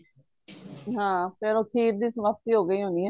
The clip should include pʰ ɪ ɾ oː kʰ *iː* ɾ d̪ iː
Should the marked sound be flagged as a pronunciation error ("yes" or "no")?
no